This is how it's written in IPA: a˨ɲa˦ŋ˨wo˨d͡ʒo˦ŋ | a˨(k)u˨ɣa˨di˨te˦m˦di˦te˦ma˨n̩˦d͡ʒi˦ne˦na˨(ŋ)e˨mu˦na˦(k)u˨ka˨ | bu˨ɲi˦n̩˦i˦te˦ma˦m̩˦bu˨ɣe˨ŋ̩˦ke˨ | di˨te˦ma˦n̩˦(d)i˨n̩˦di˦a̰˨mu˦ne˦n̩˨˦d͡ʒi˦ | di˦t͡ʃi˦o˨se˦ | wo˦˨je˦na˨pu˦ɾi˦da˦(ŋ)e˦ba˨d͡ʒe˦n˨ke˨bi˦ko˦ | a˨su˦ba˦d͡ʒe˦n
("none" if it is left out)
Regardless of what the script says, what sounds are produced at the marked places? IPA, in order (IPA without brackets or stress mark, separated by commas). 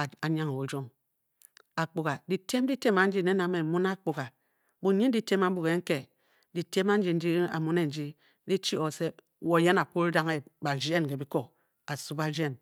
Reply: k͡p, m, k͡p, d͡ʒ, ŋ